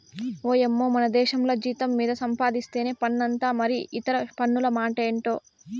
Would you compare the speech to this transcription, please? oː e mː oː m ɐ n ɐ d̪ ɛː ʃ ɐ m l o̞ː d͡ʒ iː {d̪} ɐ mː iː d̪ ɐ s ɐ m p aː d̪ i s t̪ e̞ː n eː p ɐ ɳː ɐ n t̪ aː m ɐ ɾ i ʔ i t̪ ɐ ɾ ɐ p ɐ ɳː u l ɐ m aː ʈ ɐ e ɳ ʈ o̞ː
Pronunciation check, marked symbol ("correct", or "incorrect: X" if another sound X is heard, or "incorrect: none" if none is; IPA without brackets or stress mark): incorrect: t̪